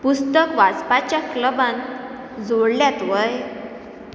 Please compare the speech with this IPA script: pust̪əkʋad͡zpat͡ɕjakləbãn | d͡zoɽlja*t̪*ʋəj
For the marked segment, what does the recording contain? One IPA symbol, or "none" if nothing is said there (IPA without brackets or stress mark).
t̪